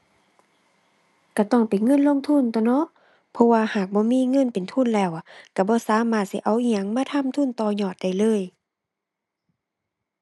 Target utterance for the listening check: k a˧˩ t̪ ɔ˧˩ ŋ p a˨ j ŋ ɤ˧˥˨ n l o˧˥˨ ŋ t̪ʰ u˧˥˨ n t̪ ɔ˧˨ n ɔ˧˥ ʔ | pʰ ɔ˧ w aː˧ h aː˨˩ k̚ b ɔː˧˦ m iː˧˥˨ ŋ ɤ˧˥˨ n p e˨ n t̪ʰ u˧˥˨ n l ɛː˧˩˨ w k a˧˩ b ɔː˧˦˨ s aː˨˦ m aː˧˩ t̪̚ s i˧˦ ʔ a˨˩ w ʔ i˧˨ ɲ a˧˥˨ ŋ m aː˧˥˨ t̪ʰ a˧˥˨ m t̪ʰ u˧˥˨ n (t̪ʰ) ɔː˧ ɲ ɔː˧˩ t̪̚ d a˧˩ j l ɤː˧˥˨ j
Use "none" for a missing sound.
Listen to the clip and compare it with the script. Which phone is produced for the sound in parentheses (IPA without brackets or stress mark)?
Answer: t̪